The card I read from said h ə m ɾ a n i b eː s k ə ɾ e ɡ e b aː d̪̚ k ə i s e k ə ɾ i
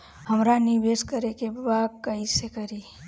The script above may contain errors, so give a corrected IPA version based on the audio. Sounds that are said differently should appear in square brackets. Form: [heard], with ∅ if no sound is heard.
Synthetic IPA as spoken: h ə m ɾ a n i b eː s k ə ɾ e [k] e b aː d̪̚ k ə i s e k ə ɾ i